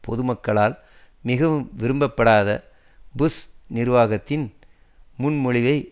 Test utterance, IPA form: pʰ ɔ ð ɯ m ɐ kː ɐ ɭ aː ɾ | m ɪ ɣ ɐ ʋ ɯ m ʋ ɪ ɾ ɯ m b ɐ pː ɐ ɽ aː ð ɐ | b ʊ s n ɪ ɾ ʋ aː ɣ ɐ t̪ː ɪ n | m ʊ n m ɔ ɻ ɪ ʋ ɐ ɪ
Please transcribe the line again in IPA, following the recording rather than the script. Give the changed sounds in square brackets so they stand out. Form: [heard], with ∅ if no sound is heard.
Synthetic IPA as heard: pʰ ɔ ð ɯ m ɐ kː ɐ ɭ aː [l] | m ɪ ɣ ɐ ʋ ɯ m ʋ ɪ ɾ ɯ m b ɐ pː ɐ ɽ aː ð ɐ | b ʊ s n ɪ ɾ ʋ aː ɣ ɐ t̪ː ɪ n | m ʊ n m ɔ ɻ ɪ ʋ ɐ ɪ